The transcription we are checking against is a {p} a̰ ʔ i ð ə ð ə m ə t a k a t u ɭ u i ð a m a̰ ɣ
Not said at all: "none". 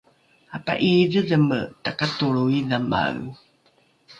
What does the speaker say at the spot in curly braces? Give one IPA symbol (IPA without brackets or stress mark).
p